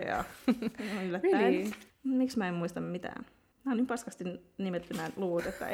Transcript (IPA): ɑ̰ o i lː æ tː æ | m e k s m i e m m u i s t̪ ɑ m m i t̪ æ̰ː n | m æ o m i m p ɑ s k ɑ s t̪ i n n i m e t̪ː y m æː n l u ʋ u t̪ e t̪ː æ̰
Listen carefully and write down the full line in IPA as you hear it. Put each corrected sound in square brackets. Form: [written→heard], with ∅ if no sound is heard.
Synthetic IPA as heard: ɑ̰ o [i→y] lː æ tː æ | m [e→i] k s m [i→æ] e m m u i s t̪ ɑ m m i t̪ æ̰ː n | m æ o [m→n] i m p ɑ s k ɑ s t̪ i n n i m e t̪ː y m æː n l u ʋ u t̪ e t̪ː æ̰